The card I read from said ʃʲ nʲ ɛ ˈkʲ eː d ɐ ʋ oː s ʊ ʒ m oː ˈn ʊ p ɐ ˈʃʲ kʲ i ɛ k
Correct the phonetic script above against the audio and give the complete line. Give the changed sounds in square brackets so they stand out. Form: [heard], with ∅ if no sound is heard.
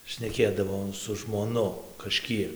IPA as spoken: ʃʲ nʲ ɛ ˈkʲ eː d ɐ ʋ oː s ʊ ʒ m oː ˈn ʊ [k] ɐ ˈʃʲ kʲ i ɛ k